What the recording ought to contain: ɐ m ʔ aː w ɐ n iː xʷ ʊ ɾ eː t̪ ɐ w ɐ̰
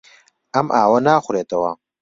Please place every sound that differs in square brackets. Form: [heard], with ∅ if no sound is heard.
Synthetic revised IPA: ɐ m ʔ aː w ɐ n [aː] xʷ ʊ ɾ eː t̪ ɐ w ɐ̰